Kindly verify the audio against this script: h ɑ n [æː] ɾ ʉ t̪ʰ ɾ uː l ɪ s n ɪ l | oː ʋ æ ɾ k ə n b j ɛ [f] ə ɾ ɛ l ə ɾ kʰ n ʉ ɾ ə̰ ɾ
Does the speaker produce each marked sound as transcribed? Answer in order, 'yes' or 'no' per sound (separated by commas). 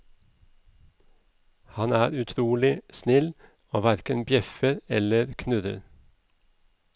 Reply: yes, yes